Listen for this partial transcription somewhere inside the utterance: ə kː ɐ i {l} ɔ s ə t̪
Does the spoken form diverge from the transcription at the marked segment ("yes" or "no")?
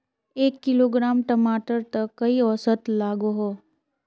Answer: yes